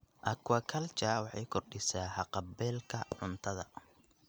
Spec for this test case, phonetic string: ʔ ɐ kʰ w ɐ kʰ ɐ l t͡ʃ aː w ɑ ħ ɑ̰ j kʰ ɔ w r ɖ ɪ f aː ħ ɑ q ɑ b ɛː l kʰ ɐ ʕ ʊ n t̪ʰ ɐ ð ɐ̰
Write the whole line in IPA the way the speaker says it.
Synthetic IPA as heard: ʔ ɐ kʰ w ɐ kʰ ɐ l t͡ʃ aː w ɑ ħ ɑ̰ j kʰ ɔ r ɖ ɪ s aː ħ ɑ q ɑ b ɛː l kʰ ɐ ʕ ʊ n t̪ʰ ɐ ð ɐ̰